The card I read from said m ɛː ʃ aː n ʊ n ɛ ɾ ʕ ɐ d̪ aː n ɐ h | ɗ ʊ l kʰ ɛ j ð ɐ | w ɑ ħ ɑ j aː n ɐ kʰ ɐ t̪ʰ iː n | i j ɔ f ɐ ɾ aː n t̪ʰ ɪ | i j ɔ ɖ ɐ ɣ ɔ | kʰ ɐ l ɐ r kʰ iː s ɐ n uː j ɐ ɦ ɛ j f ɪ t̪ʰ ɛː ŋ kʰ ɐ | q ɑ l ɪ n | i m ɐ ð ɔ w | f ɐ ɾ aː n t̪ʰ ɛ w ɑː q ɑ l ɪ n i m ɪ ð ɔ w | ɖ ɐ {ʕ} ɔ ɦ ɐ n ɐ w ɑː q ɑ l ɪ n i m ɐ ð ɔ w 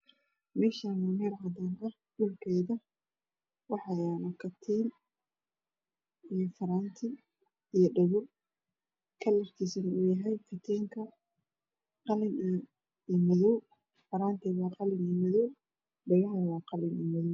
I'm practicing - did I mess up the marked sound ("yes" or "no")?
yes